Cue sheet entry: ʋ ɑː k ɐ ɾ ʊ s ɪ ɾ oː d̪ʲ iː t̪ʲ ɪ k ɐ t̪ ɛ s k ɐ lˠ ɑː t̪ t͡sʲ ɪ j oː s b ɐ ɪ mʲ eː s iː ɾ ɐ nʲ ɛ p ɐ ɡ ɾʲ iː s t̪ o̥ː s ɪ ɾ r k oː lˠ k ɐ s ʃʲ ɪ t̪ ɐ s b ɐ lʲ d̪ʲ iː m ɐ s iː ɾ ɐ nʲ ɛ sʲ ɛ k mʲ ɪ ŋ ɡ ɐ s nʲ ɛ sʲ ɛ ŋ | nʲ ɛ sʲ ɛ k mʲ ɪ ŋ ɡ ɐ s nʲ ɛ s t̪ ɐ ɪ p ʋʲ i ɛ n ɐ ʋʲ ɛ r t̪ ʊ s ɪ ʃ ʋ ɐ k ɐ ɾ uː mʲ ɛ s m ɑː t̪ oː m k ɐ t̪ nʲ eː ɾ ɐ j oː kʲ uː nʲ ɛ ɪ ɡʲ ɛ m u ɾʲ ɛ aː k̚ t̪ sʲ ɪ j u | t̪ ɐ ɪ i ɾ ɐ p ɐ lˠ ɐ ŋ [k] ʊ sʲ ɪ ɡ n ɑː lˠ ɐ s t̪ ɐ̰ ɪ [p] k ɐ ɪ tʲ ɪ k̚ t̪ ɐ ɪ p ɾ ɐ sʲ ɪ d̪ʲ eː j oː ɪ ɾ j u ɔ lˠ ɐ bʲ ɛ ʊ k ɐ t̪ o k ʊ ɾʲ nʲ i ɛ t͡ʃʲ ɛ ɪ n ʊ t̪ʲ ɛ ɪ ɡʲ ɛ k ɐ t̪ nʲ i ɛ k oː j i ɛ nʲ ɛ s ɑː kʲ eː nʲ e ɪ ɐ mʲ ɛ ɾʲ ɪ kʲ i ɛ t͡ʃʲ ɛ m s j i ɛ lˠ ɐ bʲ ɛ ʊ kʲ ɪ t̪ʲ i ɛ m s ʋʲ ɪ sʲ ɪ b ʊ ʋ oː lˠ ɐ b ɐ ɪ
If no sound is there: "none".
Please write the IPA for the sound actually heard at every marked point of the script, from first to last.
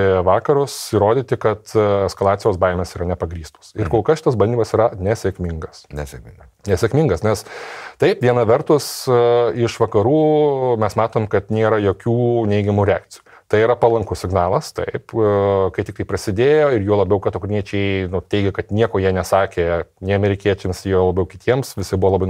k, p

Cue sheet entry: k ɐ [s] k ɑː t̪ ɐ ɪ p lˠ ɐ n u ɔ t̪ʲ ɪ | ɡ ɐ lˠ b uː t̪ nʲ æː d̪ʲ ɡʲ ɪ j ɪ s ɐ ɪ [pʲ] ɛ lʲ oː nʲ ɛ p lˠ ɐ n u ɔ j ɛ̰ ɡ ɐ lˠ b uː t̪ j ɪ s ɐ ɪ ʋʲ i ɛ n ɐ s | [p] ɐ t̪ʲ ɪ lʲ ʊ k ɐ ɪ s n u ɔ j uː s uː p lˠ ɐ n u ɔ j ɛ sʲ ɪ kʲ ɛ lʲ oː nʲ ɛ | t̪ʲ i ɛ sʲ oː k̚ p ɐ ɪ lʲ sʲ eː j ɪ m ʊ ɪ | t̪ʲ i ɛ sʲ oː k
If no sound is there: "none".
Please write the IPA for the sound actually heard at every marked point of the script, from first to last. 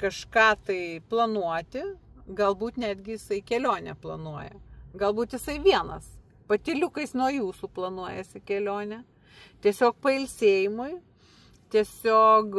ʃ, kʲ, p

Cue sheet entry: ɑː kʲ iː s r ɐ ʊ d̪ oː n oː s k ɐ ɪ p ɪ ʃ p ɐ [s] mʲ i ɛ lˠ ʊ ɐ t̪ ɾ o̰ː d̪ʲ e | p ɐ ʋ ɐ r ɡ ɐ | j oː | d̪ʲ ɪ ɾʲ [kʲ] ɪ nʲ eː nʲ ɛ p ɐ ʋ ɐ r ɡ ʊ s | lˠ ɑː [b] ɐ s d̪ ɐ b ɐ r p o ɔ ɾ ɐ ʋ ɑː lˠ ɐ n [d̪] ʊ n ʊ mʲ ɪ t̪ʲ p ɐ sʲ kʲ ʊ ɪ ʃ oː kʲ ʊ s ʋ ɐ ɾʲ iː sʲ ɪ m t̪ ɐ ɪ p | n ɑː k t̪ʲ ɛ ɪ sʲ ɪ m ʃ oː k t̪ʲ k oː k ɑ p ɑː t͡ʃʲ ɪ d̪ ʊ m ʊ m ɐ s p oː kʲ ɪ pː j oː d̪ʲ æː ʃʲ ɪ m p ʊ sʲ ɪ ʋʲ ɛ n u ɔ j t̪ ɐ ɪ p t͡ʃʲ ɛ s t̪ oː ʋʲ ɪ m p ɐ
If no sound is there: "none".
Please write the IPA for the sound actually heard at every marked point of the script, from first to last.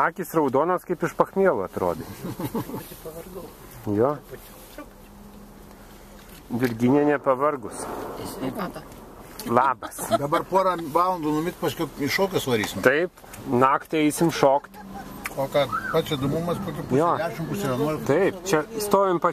x, ɡʲ, b, d̪

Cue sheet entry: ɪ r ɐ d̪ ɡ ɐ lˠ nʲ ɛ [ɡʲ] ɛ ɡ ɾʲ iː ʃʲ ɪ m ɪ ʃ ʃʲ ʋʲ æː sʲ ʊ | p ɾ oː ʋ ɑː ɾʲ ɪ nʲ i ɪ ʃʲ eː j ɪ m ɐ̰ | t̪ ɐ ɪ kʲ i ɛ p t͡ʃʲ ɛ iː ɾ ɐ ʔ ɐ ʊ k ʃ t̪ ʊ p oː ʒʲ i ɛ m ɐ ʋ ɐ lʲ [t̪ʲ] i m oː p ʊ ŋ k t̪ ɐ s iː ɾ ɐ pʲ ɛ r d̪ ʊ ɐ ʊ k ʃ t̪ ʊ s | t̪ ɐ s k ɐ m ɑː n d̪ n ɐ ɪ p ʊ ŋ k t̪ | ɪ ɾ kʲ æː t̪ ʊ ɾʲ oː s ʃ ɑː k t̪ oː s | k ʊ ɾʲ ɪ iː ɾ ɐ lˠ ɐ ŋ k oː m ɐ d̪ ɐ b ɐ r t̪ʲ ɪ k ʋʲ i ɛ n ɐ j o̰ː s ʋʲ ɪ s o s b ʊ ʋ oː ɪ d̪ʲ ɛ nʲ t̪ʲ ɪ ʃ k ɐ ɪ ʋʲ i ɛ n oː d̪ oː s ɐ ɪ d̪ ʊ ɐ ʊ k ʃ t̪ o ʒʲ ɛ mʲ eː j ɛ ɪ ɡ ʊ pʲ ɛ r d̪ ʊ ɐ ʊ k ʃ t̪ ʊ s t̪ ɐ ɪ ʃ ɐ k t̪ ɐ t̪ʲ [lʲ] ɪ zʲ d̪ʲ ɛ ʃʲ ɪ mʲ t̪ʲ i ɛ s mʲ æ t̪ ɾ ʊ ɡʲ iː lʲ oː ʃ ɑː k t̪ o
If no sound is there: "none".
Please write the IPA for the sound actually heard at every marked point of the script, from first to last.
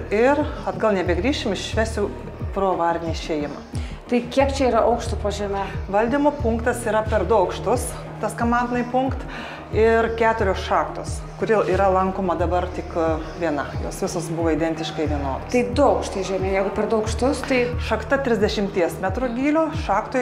bʲ, d̪ʲ, ɾʲ

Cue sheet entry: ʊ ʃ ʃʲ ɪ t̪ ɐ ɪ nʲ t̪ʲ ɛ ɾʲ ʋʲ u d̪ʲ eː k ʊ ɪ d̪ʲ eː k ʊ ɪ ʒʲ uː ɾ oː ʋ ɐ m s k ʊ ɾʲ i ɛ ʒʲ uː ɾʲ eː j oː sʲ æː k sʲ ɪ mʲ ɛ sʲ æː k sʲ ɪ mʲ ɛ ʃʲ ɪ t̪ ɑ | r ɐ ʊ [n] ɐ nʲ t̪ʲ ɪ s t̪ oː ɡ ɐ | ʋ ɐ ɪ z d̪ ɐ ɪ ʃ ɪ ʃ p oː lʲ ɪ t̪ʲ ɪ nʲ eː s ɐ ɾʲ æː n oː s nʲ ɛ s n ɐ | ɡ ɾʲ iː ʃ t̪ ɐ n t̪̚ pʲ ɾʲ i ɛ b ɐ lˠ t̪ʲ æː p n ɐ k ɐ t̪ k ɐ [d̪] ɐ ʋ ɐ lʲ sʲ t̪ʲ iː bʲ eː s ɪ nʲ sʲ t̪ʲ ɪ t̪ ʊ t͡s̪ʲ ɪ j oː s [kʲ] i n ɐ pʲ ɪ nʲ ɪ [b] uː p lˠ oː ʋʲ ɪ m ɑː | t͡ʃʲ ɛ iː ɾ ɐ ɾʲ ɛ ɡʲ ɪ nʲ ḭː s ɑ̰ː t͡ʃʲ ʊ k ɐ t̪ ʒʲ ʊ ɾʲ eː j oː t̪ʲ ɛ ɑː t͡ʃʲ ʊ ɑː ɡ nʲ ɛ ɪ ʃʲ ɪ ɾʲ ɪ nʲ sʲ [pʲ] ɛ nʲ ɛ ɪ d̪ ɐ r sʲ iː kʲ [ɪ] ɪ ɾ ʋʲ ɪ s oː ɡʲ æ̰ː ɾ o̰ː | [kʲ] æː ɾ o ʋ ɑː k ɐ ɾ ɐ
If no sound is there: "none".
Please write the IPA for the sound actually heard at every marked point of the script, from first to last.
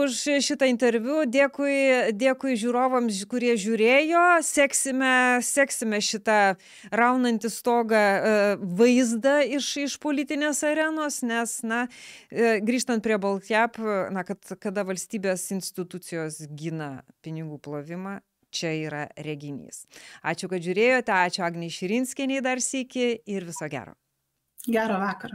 n, d̪, ɡʲ, ɡ, kʲ, ɪ, ɡʲ

